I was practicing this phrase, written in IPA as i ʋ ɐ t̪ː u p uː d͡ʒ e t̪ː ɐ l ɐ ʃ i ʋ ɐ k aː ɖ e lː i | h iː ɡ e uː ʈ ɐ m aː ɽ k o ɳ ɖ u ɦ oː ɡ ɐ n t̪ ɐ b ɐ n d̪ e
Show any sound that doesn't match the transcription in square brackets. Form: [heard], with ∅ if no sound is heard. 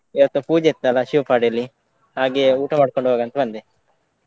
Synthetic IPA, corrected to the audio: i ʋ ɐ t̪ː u p uː d͡ʒ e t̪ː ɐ l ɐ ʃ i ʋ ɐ [p] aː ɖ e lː i | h [aː] ɡ e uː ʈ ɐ m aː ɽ k o ɳ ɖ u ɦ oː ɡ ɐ n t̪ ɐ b ɐ n d̪ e